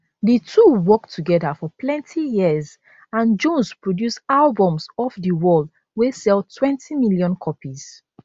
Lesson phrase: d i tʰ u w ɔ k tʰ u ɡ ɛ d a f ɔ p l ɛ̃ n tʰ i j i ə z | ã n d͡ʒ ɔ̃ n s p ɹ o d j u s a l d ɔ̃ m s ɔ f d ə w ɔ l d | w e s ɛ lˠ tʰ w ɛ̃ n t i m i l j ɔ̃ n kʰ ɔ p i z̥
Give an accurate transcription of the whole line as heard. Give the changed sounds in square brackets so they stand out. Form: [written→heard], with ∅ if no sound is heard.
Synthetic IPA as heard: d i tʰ u w ɔ k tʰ u ɡ ɛ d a f ɔ p l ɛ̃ n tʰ i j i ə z | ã n d͡ʒ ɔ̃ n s p ɹ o d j u s a l [d→b] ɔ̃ m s ɔ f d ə w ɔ l d | w e s ɛ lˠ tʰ w ɛ̃ n t i m i l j ɔ̃ n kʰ ɔ p i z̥